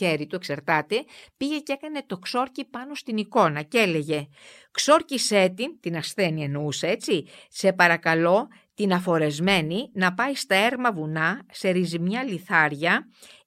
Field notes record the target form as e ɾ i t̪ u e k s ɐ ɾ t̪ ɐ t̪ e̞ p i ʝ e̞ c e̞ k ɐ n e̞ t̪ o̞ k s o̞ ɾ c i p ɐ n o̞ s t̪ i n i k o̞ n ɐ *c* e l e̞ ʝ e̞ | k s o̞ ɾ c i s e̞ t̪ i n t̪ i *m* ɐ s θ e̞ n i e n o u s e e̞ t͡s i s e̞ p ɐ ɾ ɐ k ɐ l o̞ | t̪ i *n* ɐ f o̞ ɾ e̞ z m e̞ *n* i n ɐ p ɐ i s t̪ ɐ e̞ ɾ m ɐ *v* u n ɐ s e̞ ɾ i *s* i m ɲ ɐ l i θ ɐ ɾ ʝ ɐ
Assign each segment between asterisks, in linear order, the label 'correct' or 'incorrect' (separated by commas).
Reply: correct, incorrect, correct, correct, correct, incorrect